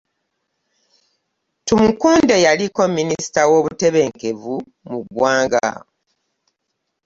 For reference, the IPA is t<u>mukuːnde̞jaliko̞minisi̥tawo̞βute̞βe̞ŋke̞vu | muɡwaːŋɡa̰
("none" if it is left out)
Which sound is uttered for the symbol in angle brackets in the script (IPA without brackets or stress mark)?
u